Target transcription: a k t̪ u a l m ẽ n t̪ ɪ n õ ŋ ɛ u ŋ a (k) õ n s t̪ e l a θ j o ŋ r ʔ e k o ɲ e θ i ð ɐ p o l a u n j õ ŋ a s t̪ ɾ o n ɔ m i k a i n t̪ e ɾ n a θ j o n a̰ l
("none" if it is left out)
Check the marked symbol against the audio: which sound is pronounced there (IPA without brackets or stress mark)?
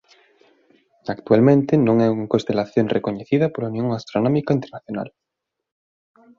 k